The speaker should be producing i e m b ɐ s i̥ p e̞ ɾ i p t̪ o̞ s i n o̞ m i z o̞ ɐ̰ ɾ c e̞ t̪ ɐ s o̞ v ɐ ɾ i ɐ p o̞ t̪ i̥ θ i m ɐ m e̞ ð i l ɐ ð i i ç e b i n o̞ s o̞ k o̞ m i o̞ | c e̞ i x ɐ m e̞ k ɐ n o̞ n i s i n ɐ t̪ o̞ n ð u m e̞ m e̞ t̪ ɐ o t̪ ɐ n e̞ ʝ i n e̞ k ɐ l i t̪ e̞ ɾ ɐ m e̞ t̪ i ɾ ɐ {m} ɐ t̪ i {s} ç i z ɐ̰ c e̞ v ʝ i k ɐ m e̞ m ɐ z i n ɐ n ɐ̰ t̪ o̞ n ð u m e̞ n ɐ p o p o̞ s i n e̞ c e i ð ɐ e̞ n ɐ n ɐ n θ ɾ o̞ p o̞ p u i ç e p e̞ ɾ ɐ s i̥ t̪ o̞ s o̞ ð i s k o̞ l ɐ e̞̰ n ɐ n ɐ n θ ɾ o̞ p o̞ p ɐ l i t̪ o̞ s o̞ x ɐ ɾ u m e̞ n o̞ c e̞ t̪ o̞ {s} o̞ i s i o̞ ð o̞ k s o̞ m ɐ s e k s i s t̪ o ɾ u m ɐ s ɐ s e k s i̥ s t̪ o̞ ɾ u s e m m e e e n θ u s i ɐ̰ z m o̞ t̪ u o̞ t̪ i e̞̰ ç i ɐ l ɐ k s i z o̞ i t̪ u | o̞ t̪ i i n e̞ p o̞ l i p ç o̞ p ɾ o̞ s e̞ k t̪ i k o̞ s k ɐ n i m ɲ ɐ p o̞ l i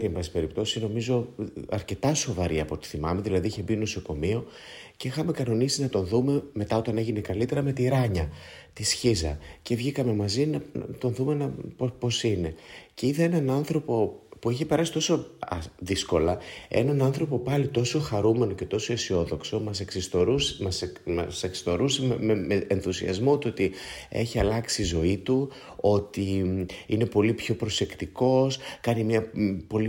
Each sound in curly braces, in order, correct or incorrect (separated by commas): incorrect, correct, correct